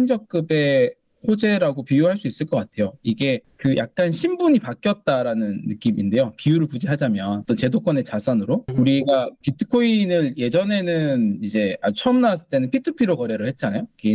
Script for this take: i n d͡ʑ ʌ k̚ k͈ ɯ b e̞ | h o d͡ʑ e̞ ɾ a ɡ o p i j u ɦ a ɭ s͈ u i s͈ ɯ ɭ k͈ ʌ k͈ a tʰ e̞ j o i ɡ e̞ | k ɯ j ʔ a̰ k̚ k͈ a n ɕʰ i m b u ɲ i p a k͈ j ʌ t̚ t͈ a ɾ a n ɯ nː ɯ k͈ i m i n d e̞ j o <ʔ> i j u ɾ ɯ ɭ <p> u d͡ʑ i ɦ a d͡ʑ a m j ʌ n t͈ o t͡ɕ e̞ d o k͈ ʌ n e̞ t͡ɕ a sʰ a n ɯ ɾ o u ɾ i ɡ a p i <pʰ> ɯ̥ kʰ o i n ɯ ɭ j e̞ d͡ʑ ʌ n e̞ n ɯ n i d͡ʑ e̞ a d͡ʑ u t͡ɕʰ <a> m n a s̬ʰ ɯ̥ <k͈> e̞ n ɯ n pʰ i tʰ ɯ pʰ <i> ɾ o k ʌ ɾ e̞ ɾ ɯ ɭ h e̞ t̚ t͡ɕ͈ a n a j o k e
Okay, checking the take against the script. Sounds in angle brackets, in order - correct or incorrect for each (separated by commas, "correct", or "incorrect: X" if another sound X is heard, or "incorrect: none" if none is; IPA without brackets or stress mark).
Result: incorrect: p, correct, incorrect: tʰ, incorrect: ʌ, incorrect: t͈, correct